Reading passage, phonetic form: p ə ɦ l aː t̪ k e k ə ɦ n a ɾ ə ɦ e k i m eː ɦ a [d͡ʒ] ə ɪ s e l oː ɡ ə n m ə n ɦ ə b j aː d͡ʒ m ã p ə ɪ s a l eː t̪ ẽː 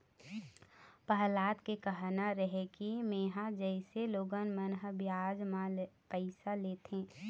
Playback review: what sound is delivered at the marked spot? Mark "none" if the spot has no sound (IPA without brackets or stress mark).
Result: d͡ʒ